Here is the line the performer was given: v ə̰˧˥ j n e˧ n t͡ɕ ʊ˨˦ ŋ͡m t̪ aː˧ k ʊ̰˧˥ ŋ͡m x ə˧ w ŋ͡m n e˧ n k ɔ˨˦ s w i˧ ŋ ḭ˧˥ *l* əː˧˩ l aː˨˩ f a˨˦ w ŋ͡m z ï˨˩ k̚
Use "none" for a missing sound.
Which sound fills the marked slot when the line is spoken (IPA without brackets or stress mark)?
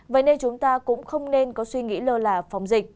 l